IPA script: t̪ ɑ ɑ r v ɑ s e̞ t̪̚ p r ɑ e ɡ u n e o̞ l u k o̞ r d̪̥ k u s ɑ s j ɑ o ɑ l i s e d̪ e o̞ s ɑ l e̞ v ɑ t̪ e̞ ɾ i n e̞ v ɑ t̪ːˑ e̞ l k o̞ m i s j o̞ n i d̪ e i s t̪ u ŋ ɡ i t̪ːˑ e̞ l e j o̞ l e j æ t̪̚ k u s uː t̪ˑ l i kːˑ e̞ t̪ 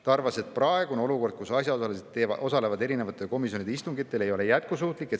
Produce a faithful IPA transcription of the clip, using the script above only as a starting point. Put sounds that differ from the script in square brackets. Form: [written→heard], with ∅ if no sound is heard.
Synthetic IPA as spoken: t̪ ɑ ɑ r v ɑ s e̞ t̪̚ p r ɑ e ɡ u n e o̞ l u k o̞ r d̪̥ k u s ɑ s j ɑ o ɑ l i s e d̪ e o̞ s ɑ l e̞ v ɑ [t̪→d̪] e̞ ɾ i n e̞ v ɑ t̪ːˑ e̞ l k o̞ m i s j o̞ n i d̪ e i s t̪ u ŋ ɡ i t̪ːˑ e̞ l e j o̞ l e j æ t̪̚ k u s uː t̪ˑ l i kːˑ e̞ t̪